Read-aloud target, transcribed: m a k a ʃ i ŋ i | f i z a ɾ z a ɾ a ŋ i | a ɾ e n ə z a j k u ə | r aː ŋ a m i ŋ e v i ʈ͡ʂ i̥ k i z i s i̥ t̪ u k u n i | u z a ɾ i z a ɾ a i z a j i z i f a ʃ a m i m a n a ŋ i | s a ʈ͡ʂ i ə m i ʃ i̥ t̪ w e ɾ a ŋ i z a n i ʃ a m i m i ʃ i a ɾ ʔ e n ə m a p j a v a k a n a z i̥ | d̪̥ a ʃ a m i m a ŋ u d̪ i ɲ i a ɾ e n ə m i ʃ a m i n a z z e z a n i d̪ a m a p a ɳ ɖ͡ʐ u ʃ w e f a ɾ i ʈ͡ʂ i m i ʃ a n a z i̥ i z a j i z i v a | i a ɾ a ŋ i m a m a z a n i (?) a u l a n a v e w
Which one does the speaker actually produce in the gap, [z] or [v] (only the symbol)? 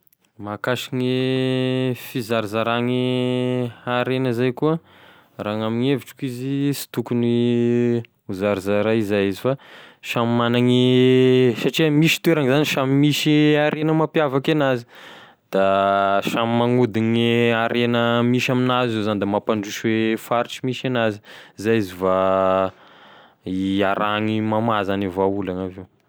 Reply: v